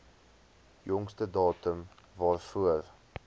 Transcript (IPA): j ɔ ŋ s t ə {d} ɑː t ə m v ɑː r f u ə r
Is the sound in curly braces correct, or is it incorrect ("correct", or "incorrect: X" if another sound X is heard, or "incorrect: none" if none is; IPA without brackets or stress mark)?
correct